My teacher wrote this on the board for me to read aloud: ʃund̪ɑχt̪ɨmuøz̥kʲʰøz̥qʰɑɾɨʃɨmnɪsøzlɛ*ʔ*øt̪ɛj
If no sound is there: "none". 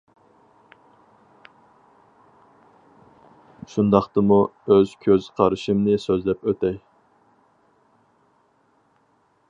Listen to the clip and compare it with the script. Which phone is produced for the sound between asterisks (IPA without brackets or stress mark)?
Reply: p